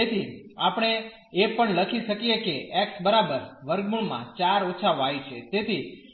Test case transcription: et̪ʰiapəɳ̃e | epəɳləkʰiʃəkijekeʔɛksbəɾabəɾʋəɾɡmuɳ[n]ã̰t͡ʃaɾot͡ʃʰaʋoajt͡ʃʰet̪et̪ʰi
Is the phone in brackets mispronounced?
yes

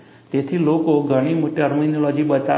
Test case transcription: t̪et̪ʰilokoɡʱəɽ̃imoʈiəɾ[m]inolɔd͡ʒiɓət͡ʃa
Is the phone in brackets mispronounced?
no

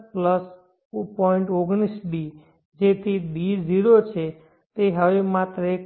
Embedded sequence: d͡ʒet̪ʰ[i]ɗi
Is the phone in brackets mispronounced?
no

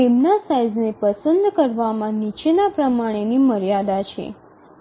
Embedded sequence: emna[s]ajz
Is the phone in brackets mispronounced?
no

